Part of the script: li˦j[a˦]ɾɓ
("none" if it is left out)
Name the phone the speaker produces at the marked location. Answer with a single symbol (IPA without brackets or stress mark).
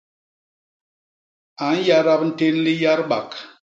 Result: a˦